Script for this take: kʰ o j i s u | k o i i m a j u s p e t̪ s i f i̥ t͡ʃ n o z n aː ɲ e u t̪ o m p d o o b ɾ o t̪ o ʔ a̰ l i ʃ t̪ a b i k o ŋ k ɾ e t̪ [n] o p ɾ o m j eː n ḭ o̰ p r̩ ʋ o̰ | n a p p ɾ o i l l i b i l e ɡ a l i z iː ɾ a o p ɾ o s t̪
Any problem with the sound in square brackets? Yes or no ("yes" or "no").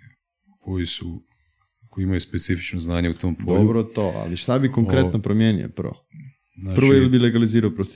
no